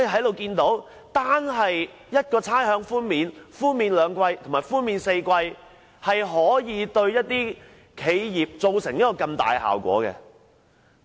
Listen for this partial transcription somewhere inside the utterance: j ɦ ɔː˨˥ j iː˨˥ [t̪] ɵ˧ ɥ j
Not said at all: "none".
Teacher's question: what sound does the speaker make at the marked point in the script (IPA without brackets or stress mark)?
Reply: t̪